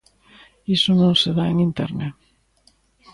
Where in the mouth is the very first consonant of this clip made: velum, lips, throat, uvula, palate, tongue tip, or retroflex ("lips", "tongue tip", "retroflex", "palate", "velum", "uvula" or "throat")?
tongue tip